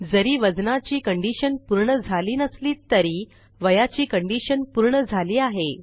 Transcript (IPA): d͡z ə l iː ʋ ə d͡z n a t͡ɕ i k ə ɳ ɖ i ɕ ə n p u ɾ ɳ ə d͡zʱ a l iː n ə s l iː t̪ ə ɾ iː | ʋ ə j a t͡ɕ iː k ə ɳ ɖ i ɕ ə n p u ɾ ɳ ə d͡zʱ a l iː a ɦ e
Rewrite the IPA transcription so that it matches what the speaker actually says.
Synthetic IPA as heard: d͡z ə ɾ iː ʋ ə d͡z n a t͡ɕ iː k ə ɳ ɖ i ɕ ə n p u ɾ ɳ ə d͡zʱ a l iː n ə s l iː t̪ ə ɾ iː | ʋ ə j a t͡ɕ iː k ə ɳ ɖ i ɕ ə n p u ɾ ɳ ə d͡zʱ a l iː a ɦ e